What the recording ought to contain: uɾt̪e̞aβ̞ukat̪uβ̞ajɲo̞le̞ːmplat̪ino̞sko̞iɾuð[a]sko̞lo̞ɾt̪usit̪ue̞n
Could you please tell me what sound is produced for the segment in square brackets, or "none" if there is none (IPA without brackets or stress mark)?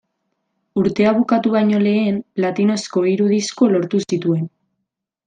i